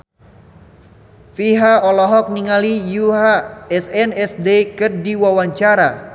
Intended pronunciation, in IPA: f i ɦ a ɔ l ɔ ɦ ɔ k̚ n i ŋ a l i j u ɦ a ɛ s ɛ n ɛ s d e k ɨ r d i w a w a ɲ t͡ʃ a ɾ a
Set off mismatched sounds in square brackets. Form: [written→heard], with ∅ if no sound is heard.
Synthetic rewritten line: f i ɦ a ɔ l ɔ ɦ ɔ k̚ n i ŋ a l i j u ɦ a ɛ s ɛ n ɛ s d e k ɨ r d i w a w a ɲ t͡ʃ a ɾ a